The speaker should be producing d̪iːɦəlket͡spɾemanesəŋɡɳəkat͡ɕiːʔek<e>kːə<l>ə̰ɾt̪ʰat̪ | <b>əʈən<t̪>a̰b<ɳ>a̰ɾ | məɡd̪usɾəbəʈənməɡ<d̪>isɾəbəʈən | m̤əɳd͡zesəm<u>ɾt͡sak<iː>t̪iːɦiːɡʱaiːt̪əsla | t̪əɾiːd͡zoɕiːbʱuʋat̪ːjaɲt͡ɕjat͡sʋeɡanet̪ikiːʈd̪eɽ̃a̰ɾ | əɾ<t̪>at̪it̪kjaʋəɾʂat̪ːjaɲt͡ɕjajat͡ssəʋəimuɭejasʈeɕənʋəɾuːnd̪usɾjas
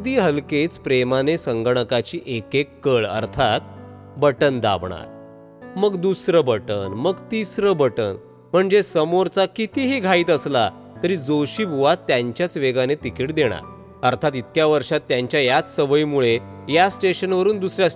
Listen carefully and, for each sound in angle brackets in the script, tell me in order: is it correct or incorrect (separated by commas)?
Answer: correct, incorrect, correct, incorrect, correct, incorrect, incorrect, incorrect, incorrect